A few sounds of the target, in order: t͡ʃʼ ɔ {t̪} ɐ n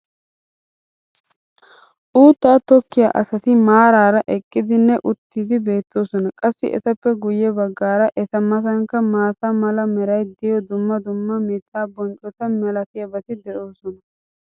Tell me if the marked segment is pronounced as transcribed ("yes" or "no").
yes